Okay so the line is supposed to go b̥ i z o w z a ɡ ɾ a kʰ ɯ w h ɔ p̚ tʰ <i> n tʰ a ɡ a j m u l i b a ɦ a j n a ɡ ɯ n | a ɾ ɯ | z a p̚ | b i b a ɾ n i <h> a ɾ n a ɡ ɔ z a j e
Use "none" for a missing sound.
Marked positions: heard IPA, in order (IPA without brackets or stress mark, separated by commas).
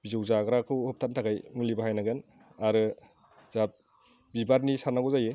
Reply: a, s